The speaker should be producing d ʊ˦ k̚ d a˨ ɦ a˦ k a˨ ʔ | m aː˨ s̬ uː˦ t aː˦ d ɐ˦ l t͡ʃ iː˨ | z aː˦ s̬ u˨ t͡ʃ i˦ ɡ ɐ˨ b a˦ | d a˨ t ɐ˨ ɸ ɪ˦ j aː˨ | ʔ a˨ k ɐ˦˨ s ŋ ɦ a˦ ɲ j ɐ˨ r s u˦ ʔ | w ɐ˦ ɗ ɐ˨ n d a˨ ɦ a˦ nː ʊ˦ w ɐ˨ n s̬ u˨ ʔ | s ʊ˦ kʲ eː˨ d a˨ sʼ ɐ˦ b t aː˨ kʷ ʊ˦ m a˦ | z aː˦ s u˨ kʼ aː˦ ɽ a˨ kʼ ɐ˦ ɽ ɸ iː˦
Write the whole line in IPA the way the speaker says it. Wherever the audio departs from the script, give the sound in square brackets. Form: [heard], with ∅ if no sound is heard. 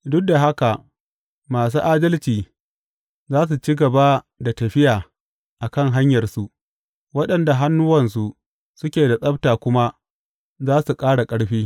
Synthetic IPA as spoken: d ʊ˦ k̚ d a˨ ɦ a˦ k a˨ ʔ | m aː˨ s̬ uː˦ [ʔ] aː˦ d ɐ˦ l t͡ʃ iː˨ | z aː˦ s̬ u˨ t͡ʃ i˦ ɡ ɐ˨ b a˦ | d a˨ t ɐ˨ ɸ ɪ˦ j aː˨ | ʔ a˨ k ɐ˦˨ [∅] ŋ ɦ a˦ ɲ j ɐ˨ r s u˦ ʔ | w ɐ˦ ɗ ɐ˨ n d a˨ ɦ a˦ nː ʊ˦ w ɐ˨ n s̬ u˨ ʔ | s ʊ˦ kʲ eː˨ d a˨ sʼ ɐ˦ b t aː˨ kʷ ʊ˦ m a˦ | z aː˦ s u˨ kʼ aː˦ ɽ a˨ kʼ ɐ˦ ɽ ɸ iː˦